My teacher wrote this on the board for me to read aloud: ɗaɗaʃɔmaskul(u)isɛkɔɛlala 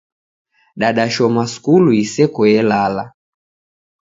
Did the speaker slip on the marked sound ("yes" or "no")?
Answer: no